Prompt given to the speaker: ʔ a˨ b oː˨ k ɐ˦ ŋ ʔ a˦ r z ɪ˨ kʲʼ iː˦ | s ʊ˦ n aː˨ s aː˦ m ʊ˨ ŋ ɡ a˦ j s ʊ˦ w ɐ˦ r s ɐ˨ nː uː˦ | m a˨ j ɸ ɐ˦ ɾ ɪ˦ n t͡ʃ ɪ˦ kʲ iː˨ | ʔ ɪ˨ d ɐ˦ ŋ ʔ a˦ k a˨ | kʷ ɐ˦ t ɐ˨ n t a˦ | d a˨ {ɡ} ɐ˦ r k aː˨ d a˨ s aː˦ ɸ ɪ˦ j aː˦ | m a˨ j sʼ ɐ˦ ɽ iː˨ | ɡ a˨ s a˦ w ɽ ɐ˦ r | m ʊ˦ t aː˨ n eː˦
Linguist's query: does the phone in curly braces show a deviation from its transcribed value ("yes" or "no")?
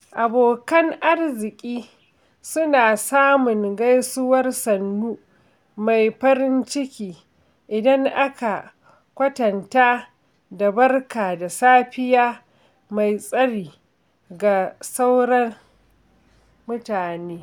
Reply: yes